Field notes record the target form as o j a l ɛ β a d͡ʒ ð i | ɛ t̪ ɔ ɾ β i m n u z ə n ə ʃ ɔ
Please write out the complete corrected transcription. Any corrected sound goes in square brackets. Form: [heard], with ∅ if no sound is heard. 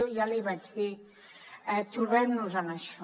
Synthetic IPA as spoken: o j a l [i] β a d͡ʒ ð i | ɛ t̪ [u] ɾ β [ɛ] m n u z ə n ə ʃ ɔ